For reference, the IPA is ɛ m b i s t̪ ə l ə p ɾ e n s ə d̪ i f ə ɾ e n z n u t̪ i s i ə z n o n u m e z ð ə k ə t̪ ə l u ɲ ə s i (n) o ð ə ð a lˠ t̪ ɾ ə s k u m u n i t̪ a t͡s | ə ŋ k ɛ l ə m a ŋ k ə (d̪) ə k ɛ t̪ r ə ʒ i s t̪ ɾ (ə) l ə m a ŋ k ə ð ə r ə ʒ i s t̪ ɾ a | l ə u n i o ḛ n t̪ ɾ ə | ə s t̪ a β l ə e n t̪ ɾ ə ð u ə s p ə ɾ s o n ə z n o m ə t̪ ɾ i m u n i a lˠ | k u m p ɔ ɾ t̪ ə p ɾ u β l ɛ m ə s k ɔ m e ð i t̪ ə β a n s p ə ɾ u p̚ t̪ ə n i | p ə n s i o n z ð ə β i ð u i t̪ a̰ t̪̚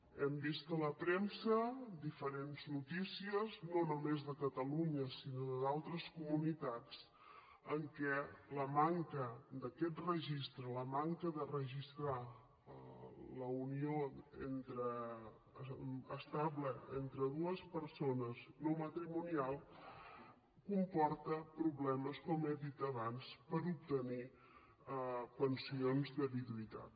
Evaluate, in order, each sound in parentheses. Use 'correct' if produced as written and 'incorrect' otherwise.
correct, correct, correct

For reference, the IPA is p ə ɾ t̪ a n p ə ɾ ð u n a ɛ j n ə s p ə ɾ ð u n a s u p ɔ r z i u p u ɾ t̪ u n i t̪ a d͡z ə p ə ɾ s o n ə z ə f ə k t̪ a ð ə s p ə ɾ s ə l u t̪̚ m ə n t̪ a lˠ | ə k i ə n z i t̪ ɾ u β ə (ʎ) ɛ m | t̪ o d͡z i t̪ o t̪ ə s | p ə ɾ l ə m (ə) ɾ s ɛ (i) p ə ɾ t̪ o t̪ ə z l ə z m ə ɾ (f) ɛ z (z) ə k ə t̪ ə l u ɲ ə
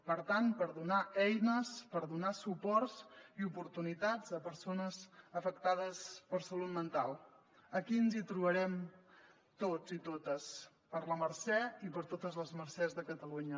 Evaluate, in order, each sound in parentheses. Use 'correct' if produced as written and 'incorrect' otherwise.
incorrect, correct, correct, incorrect, incorrect

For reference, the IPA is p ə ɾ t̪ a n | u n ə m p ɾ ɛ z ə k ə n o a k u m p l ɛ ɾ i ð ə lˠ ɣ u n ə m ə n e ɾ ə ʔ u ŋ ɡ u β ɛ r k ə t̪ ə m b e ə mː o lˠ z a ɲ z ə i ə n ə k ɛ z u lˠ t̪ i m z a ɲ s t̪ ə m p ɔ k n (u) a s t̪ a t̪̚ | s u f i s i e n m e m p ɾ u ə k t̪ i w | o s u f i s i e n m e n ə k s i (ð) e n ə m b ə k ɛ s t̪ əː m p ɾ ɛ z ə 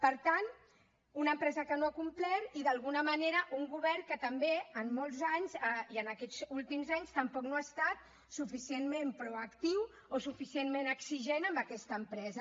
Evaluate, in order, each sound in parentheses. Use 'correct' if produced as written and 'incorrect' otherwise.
incorrect, incorrect

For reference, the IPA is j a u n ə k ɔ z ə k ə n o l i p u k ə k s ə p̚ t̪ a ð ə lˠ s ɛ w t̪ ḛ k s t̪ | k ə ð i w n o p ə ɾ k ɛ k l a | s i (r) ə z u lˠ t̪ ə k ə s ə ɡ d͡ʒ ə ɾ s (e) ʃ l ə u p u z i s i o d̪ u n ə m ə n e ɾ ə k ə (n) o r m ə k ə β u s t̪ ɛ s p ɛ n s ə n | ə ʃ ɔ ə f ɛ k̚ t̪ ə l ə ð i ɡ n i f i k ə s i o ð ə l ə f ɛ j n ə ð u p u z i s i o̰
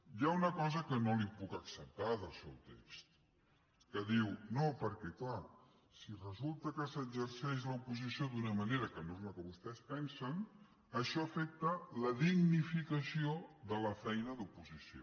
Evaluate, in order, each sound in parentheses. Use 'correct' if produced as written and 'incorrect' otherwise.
correct, incorrect, correct

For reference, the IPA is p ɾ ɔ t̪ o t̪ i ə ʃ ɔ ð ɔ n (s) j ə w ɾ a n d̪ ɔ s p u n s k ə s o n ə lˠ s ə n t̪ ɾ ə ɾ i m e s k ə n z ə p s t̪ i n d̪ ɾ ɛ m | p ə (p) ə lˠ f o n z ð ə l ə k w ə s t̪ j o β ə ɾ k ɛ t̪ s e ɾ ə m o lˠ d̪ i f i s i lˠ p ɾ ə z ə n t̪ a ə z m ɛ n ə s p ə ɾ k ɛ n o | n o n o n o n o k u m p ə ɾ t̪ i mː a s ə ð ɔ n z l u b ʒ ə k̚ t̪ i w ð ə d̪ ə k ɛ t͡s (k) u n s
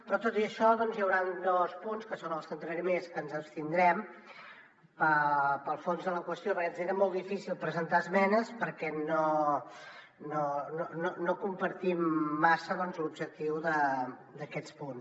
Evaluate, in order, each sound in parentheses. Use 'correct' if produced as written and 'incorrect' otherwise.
incorrect, correct, incorrect

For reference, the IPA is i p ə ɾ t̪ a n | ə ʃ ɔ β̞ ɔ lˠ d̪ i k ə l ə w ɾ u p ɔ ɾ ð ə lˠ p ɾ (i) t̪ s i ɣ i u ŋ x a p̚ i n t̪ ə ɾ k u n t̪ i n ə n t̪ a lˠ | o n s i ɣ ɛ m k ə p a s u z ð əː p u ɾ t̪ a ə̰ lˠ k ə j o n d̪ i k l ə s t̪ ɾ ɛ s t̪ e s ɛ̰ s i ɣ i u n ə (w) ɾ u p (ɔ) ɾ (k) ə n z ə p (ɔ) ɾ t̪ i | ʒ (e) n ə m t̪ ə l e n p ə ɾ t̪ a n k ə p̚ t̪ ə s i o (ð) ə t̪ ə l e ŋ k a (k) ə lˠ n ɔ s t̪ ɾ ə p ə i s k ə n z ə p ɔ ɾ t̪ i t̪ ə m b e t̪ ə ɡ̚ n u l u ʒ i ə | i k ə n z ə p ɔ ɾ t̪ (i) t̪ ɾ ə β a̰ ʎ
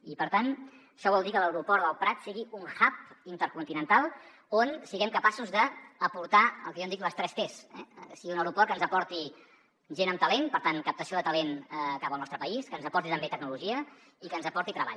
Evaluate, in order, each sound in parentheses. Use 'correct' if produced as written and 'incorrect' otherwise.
incorrect, correct, correct, correct, correct, correct, correct, incorrect, correct

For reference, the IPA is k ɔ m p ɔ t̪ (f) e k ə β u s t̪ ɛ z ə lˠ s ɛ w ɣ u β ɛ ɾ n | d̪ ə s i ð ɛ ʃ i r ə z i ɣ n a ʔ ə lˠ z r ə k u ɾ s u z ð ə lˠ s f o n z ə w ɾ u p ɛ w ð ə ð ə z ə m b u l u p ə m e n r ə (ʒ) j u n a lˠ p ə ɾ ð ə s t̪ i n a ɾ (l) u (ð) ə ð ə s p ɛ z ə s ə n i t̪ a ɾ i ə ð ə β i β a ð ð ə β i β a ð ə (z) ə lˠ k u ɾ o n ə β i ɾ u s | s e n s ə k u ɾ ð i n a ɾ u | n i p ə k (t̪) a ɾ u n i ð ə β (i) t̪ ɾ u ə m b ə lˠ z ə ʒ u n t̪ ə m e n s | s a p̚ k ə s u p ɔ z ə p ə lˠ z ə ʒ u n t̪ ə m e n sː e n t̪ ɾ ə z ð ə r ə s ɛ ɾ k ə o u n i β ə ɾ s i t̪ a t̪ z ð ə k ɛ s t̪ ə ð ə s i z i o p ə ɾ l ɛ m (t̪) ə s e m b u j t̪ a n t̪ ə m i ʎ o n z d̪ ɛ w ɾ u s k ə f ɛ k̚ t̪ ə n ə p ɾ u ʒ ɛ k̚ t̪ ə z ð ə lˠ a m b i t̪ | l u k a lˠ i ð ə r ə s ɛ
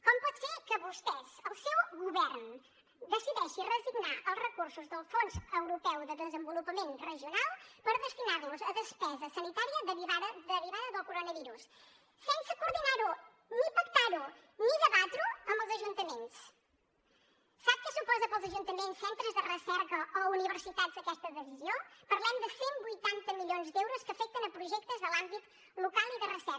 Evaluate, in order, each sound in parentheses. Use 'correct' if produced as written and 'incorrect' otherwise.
incorrect, correct, correct, incorrect, incorrect, correct, incorrect, incorrect

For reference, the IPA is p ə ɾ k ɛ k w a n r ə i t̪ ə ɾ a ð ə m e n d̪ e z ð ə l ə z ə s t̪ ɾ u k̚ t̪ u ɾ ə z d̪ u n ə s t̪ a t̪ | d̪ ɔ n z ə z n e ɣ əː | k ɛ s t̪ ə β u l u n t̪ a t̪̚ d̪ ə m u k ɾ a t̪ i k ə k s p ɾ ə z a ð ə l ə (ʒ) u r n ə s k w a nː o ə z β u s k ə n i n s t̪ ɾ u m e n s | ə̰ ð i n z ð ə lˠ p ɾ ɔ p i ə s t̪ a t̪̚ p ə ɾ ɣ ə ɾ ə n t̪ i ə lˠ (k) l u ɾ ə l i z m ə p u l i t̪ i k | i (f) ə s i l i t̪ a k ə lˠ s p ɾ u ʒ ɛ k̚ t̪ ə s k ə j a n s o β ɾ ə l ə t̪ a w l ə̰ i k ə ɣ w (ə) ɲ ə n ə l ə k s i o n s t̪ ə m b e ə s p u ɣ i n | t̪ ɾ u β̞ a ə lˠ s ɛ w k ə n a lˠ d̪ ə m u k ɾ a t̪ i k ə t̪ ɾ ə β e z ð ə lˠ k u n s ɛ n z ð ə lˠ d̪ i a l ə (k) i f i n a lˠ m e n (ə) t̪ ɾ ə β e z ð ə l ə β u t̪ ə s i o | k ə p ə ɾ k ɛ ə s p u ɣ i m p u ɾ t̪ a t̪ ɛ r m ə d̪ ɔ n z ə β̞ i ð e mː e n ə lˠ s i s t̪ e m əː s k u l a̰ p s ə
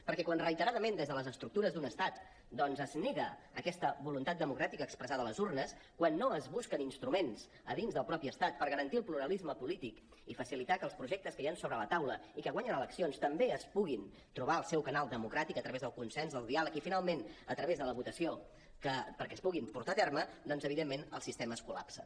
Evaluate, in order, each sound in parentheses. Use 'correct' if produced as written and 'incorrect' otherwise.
incorrect, incorrect, correct, incorrect, correct, correct

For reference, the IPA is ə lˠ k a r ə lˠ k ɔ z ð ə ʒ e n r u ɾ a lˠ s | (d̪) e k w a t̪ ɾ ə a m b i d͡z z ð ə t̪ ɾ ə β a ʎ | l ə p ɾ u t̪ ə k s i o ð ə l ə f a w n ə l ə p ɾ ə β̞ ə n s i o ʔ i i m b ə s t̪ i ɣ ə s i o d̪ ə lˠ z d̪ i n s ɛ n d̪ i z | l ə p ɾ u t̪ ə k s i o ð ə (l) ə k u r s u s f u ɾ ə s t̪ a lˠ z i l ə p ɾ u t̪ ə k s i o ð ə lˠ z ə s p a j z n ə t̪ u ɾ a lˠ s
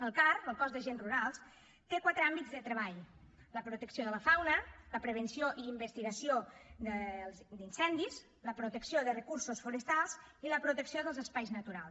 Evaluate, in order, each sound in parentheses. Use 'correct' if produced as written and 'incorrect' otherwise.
incorrect, incorrect

